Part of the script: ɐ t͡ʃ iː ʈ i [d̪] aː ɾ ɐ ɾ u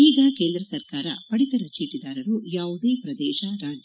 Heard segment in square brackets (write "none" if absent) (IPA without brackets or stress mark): d̪